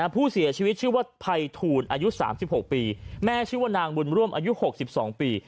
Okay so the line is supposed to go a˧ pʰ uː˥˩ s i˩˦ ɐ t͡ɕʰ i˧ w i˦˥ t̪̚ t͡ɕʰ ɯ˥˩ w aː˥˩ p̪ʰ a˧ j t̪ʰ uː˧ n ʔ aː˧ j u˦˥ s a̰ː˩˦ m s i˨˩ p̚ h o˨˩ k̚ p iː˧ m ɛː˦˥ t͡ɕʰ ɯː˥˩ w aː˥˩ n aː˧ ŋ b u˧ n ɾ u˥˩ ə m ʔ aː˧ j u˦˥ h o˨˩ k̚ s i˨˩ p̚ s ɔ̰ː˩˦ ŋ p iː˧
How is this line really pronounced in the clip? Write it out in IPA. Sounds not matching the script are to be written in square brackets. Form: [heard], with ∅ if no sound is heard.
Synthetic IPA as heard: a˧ pʰ uː˥˩ s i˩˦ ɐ t͡ɕʰ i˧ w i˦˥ t̪̚ t͡ɕʰ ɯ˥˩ w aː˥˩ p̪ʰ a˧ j t̪ʰ uː˧ n ʔ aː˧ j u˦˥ s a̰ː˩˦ m s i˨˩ p̚ h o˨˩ k̚ p iː˧ m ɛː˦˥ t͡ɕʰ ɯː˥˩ w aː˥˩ n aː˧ ŋ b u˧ n ɾ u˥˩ ə m ʔ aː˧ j u˦˥ h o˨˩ k̚ s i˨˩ p̚ s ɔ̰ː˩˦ ŋ p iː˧